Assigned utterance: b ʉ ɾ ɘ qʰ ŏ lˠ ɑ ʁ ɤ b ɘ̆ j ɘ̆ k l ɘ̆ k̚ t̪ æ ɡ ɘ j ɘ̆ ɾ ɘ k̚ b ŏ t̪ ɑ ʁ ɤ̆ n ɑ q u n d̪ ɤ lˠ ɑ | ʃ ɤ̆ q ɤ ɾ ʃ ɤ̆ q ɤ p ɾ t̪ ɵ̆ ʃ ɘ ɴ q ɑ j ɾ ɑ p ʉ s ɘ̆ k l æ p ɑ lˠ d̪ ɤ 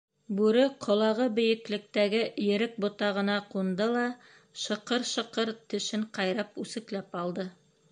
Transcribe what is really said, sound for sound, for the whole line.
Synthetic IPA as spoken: b ʉ ɾ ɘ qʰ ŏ lˠ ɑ ʁ ɤ b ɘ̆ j ɘ̆ k l ɘ̆ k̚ t̪ æ ɡ ɘ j ɘ̆ ɾ ɘ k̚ b ŏ t̪ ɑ ʁ ɤ̆ n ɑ q u n d̪ ɤ lˠ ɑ | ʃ ɤ̆ q ɤ ɾ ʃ ɤ̆ q ɤ ɾ t̪ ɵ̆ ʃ ɘ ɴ q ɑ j ɾ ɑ p ʉ s ɘ̆ k l æ p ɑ lˠ d̪ ɤ